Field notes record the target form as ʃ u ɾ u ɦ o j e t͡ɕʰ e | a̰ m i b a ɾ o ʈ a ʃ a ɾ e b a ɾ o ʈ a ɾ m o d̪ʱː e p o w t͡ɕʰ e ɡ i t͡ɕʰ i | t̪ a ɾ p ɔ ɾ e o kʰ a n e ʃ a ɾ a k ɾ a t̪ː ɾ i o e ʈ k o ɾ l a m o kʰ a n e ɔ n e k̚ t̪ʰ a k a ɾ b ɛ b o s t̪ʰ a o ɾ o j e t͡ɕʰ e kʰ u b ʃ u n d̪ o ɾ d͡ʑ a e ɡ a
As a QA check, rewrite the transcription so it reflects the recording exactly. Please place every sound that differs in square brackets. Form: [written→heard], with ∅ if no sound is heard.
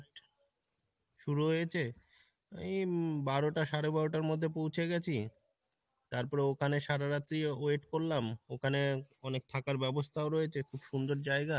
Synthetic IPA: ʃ u ɾ u ɦ o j e t͡ɕʰ e | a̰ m i b a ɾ o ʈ a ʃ a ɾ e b a ɾ o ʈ a ɾ m o d̪ʱː e p o w t͡ɕʰ e ɡ [i→ɛ] t͡ɕʰ i | t̪ a ɾ p ɔ ɾ e o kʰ a n e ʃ a ɾ a [k→∅] ɾ a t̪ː ɾ i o e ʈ k o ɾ l a m o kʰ a n e ɔ n e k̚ t̪ʰ a k a ɾ b ɛ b o s t̪ʰ a o ɾ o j e t͡ɕʰ e kʰ u b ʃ u n d̪ o ɾ d͡ʑ a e ɡ a

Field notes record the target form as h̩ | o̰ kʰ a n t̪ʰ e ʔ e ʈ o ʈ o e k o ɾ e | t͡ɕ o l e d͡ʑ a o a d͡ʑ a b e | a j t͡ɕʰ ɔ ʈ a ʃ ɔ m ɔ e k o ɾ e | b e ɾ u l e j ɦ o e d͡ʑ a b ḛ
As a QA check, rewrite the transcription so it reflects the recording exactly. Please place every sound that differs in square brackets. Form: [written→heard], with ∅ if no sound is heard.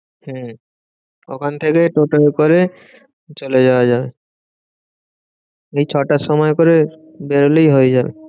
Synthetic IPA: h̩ | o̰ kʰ a n t̪ʰ e [ʔ→k] e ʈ o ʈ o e k o ɾ e | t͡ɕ o l e d͡ʑ a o a d͡ʑ a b e | [a→e] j t͡ɕʰ ɔ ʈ a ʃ ɔ m ɔ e k o ɾ e | b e ɾ [u→o] l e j ɦ o e d͡ʑ a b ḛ

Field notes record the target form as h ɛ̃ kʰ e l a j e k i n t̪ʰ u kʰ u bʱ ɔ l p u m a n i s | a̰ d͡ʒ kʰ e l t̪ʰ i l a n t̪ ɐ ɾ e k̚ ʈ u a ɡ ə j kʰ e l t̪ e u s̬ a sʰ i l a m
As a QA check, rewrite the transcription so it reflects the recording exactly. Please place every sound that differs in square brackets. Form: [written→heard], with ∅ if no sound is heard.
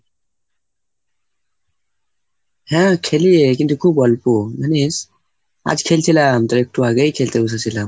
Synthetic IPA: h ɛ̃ kʰ e l [a→i] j e k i n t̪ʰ u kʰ u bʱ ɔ l p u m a n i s | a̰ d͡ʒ kʰ e l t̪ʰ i l a [n→m] t̪ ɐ ɾ e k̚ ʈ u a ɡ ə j kʰ e l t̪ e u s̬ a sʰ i l a m

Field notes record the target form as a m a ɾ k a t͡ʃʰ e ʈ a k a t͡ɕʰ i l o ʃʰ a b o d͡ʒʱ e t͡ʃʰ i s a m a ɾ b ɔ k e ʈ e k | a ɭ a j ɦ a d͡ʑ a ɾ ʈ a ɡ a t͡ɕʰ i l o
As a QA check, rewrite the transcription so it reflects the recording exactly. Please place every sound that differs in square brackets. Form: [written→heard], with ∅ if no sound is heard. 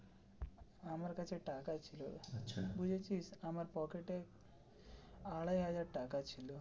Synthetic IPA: a m a ɾ k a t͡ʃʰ e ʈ a k a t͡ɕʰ i l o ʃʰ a b [o→u] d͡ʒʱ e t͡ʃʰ i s a m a ɾ [b→p] ɔ k e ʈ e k | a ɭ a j ɦ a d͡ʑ a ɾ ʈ a [ɡ→k] a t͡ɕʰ i l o

